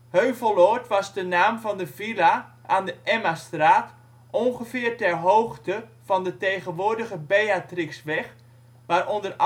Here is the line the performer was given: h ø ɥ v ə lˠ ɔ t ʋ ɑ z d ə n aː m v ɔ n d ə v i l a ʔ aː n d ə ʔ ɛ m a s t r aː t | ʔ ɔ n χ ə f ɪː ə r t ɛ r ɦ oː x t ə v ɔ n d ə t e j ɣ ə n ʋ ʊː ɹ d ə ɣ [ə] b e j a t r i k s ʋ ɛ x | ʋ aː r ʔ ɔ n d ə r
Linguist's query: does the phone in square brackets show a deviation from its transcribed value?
no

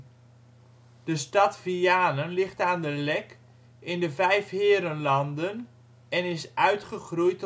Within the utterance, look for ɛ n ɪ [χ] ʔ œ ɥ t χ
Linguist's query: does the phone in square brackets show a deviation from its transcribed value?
yes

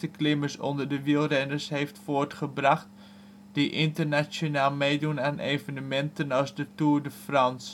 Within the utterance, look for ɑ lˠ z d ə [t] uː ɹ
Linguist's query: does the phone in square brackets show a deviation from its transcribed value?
no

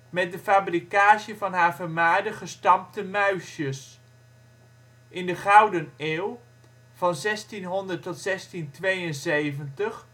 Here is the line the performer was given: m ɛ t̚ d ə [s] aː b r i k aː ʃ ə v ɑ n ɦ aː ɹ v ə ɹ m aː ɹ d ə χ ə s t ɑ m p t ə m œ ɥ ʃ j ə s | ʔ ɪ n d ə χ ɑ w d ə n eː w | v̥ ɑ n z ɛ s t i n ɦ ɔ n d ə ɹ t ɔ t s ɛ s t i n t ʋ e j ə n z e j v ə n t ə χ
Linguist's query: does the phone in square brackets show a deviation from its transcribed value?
yes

